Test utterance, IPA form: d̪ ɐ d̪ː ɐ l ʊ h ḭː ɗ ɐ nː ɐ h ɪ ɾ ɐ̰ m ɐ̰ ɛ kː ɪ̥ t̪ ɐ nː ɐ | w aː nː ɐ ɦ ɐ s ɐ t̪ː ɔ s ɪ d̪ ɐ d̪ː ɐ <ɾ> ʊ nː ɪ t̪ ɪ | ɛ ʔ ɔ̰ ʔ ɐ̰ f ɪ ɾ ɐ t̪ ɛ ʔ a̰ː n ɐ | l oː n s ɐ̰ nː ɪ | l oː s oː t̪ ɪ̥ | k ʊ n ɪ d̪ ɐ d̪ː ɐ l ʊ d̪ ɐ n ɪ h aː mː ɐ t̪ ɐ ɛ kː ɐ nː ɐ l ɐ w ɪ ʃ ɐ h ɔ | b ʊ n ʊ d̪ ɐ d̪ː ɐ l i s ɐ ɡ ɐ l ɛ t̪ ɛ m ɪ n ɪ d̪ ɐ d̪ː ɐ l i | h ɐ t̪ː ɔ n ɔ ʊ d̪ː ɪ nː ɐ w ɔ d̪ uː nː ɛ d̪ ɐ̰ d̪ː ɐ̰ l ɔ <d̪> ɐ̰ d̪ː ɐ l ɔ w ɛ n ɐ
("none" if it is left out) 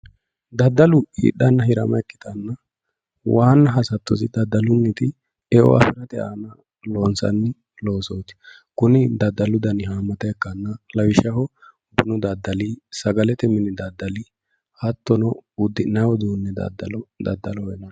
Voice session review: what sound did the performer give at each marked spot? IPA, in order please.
l, d̪

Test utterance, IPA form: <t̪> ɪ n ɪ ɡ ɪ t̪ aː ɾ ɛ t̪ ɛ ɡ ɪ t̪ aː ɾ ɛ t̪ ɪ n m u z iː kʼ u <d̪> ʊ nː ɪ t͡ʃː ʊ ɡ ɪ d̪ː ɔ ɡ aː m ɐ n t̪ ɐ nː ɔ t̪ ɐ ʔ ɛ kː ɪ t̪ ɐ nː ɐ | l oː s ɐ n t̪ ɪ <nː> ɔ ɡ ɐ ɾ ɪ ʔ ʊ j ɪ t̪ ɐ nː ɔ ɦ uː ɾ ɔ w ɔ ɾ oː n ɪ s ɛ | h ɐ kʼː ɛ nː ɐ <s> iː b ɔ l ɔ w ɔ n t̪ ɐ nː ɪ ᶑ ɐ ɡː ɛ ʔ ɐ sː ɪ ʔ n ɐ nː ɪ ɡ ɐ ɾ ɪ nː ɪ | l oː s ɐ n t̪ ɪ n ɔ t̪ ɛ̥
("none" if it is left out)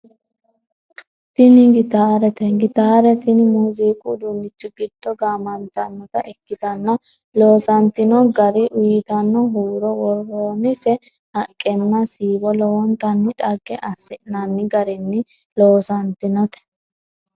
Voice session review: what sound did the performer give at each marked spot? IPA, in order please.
t̪, d̪, n, s

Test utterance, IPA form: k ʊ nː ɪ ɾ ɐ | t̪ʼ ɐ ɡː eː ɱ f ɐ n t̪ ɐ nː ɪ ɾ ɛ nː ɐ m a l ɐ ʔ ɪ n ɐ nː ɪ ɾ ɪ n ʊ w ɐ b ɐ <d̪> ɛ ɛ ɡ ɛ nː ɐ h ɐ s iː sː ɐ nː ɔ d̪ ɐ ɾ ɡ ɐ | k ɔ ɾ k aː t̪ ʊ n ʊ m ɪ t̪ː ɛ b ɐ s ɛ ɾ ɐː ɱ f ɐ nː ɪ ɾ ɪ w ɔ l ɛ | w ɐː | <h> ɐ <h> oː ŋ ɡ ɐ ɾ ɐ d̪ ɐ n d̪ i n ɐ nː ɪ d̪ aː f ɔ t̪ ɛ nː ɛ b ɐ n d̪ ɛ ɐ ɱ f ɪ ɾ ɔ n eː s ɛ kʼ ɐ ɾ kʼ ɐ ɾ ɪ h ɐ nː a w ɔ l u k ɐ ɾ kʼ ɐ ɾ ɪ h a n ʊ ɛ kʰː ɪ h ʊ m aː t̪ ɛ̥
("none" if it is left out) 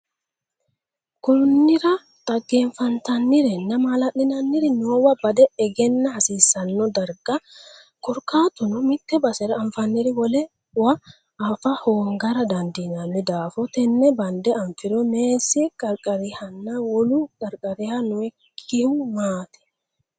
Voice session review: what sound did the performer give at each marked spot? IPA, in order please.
d̪, f, h

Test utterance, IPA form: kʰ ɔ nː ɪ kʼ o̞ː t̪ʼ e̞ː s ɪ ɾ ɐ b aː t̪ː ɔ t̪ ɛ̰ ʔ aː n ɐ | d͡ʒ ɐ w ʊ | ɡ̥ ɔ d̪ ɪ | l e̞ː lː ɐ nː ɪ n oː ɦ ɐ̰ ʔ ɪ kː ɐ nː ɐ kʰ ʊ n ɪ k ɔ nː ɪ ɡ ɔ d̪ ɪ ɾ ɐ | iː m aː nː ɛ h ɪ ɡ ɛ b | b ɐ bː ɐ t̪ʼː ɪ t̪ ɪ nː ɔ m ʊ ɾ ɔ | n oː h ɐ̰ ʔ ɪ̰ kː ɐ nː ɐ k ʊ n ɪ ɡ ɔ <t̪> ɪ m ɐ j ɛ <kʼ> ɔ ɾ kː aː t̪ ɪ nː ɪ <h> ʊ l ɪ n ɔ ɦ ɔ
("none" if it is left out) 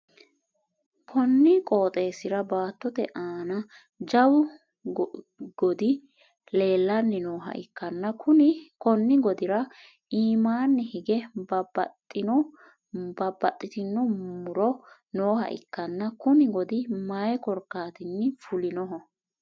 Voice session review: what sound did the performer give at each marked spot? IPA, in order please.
d̪, k, f

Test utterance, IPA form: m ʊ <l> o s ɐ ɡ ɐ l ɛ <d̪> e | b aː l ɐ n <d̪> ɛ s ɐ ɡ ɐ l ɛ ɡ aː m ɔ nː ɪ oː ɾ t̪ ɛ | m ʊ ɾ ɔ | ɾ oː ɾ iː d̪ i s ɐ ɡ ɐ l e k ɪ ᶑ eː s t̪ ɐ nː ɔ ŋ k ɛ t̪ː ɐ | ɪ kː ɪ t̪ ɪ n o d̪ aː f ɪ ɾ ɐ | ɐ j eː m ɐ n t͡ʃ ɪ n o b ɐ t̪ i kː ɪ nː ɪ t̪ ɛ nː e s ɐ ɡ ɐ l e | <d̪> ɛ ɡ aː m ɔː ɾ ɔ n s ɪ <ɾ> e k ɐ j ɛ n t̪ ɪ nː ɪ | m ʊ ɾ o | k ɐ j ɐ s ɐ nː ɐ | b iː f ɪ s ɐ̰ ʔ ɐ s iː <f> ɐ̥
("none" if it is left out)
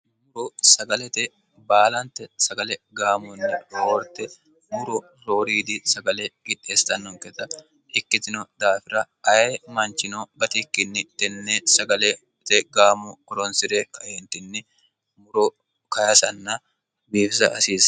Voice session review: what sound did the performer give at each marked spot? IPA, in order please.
ɾ, t̪, t̪, t̪, ɾ, s

